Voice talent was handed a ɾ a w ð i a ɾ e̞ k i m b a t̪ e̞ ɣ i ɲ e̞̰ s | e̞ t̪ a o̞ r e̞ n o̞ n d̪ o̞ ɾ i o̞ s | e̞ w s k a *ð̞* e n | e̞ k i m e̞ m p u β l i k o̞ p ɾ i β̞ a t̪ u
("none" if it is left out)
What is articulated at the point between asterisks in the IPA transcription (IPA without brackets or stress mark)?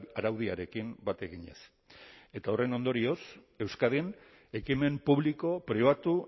ð̞